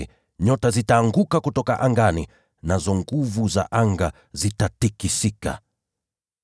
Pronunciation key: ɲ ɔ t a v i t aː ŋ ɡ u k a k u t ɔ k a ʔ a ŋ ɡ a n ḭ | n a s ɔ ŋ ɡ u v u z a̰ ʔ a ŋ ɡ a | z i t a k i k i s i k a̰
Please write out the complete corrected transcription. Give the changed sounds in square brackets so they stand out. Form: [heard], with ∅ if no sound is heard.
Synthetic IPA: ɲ ɔ t a [z] i t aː ŋ ɡ u k a k u t ɔ k a ʔ a ŋ ɡ a n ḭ | n a [z] ɔ ŋ ɡ u v u z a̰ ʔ a ŋ ɡ a | z i t a [t] i k i s i k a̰

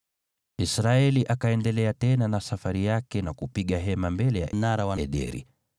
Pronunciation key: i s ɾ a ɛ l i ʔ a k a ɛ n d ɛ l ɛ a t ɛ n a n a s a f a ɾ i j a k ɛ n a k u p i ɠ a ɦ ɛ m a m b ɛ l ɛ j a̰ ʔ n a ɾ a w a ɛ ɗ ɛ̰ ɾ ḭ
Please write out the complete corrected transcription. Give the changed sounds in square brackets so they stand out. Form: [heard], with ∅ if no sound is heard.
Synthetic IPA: i s ɾ a ɛ l i ʔ a k a ɛ n d ɛ l ɛ a t ɛ n a n a s a f a ɾ i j a k ɛ n a k u p i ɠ a ɦ ɛ m a m b ɛ l ɛ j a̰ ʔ n a ɾ a w a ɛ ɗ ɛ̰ ɾ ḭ

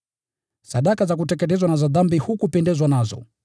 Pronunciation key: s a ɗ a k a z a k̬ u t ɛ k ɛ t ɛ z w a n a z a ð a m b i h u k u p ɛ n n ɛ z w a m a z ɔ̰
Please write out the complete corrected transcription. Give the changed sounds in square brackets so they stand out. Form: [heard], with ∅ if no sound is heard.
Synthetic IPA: s a ɗ a k a z a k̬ u t ɛ k ɛ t ɛ z w a n a z a ð a m b i h u k u p ɛ n [d] ɛ z w a [n] a z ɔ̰

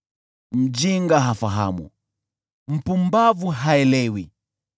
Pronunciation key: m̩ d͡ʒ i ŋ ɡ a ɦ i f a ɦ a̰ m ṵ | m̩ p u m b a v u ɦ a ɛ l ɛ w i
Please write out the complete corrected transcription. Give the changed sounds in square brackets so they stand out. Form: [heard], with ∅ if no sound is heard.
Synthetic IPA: m̩ d͡ʒ i ŋ ɡ a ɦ [a] f a ɦ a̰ m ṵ | m̩ p u m b a v u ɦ a ɛ l ɛ w i

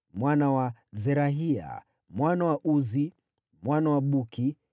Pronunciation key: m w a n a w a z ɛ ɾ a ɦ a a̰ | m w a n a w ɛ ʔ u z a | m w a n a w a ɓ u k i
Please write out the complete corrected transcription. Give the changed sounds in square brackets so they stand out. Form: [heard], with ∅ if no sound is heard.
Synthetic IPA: m w a n a w a z ɛ ɾ a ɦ [i] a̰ | m w a n a w [a] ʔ u z [i] | m w a n a w a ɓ u k i

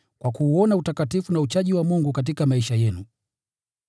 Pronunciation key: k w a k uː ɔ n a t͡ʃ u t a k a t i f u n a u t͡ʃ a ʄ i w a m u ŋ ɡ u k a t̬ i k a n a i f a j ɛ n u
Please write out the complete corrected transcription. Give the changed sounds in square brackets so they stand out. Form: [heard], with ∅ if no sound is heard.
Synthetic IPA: k w a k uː ɔ n a [∅] u t a k a t i f u n a u t͡ʃ a ʄ i w a m u ŋ ɡ u k a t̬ i k a [m] a i [ʃ] a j ɛ n u

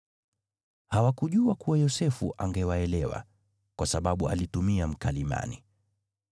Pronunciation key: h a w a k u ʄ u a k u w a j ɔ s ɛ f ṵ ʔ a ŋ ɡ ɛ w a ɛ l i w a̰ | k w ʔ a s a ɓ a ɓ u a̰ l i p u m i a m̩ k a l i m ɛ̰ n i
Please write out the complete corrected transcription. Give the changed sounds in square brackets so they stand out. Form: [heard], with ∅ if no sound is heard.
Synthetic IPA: h a w a k u ʄ u a k u w a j ɔ s ɛ f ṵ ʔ a ŋ ɡ ɛ w a ɛ l [ɛ] w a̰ | k w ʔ a s a ɓ a ɓ u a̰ l i [t] u m i a m̩ k a l i m [a̰] n i

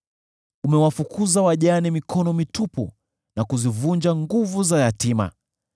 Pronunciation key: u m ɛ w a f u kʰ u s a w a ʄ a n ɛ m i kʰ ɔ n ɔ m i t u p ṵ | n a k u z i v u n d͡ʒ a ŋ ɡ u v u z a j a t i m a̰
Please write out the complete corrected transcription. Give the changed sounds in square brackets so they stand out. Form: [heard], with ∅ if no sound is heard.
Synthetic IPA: u m ɛ w a f u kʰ u [z] a w a ʄ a n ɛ m i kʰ ɔ n ɔ m i t u p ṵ | n a k u z i v u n d͡ʒ a ŋ ɡ u v u z a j a t i m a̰

